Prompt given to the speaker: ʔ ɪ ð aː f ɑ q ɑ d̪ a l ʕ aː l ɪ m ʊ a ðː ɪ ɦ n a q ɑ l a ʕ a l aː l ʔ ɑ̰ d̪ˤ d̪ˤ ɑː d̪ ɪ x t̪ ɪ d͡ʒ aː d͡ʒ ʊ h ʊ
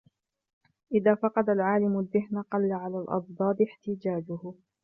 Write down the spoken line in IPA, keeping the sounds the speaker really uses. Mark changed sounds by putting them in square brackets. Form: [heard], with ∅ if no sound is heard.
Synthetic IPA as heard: ʔ ɪ ð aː f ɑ q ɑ d̪ a l ʕ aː l ɪ m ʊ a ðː ɪ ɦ n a q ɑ [lː] a ʕ a l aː l ʔ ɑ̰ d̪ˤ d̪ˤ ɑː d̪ ɪ [ħ] t̪ ɪ d͡ʒ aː d͡ʒ ʊ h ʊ